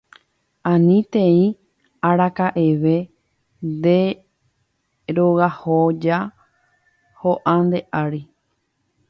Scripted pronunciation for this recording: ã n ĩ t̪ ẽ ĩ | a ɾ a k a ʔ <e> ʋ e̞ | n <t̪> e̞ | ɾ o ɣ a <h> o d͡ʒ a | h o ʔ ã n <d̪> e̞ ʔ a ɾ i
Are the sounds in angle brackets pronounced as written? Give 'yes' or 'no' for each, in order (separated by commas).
yes, no, yes, yes